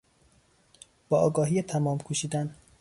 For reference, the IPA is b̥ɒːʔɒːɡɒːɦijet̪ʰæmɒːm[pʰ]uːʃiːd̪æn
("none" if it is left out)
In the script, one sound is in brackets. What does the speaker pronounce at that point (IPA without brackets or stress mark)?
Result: kʰ